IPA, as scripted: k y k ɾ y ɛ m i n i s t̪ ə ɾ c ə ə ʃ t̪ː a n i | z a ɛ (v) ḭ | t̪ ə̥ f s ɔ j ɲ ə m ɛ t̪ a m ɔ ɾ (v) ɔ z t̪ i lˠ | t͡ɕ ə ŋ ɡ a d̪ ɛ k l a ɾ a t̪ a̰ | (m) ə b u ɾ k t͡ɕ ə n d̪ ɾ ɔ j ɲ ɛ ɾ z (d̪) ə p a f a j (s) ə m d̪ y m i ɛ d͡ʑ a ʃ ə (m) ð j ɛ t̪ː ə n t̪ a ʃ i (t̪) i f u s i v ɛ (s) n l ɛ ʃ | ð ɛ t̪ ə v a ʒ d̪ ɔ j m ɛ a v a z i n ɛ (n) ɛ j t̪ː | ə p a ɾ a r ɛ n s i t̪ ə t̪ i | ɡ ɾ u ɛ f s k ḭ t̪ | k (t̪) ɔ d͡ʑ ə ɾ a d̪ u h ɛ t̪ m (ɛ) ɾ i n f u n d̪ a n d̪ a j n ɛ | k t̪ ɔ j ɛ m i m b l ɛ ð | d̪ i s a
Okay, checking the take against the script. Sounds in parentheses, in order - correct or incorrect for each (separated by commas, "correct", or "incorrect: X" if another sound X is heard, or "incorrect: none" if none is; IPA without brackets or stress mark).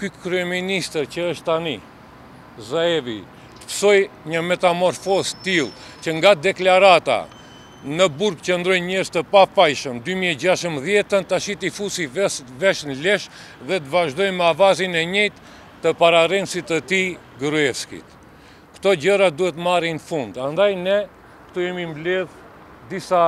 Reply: correct, incorrect: f, incorrect: n, incorrect: t̪, incorrect: ʃ, correct, correct, incorrect: ʃ, incorrect: ɲ, correct, incorrect: a